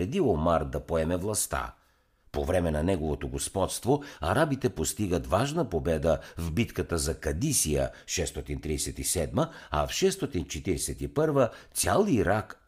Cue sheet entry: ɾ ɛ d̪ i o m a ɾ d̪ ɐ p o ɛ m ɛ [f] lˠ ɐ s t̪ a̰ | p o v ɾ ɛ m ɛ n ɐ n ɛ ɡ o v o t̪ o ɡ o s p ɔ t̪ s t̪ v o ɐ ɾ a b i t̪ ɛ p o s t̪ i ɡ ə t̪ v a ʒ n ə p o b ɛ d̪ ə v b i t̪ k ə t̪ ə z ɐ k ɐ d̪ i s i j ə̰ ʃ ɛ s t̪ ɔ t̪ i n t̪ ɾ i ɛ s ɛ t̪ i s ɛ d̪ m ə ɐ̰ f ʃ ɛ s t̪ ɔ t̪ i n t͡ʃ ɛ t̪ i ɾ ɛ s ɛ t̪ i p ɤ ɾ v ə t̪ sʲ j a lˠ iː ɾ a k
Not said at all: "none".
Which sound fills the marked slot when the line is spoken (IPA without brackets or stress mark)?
v